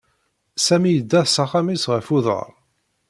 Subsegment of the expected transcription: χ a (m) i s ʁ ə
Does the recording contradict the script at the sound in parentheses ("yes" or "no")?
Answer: no